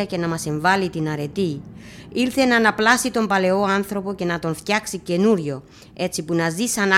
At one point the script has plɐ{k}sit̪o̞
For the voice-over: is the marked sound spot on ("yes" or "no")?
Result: no